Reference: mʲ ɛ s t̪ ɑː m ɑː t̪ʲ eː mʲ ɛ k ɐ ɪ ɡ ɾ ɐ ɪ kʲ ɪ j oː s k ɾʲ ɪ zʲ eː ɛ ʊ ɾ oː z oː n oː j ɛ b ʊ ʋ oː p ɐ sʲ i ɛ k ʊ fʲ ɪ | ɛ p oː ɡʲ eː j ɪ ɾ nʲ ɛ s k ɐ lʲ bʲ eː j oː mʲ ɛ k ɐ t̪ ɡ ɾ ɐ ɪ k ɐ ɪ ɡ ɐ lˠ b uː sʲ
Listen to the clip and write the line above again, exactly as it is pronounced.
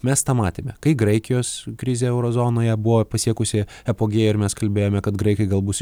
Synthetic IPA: mʲ ɛ s t̪ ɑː m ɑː t̪ʲ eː mʲ ɛ k ɐ ɪ ɡ ɾ ɐ ɪ kʲ ɪ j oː s k ɾʲ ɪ zʲ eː ɛ ʊ ɾ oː z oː n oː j ɛ b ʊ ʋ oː p ɐ sʲ i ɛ k ʊ sʲ ɪ | ɛ p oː ɡʲ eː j ɪ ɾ mʲ ɛ s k ɐ lʲ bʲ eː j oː mʲ ɛ k ɐ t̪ ɡ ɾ ɐ ɪ k ɐ ɪ ɡ ɐ lˠ b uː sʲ